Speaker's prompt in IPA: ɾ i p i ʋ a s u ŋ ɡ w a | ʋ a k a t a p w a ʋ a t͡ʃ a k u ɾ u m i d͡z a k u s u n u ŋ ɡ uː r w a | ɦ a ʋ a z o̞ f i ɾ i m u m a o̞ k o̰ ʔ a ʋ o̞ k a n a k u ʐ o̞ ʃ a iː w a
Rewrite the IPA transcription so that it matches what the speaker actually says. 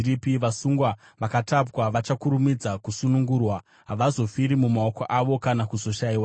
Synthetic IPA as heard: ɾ i p i ʋ a s u ŋ ɡ w a | ʋ a k a t a p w a ʋ a t͡ʃ a k u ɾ u m i d͡z a k u s u n u ŋ ɡ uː r w a | ɦ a ʋ a z o̞ f i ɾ i m u m a o̞ k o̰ ʔ a ʋ o̞ k a n a k u z o̞ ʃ a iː w a

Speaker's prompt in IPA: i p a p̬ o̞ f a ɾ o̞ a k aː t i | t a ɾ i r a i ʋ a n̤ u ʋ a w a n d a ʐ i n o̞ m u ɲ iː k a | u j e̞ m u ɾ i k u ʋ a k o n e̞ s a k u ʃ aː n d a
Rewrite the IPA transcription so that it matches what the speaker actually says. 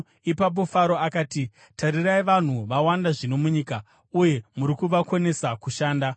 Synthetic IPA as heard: i p a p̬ o̞ f a ɾ o̞ a k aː t i | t a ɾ i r a i ʋ a n̤ u ʋ a w a n d a ʐ i n o̞ m u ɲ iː k a | u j e̞ m u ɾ i k u ʋ a k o n e̞ s a k u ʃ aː n d a

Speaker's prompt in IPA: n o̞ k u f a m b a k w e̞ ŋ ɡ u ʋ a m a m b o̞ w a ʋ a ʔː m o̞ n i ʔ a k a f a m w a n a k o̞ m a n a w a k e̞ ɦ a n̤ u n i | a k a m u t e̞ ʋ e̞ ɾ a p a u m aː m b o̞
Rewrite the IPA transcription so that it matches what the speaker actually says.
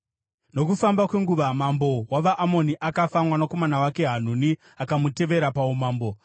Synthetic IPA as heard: n o̞ k u f a m b a k w e̞ ŋ ɡ u ʋ a m a m b o̞ w a ʋ a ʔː m o̞ n i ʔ a k a f a m w a n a k o̞ m a n a w a k e̞ ɦ a n̤ u n i | a k a m u t e̞ ʋ e̞ ɾ a p a u m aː m b o̞

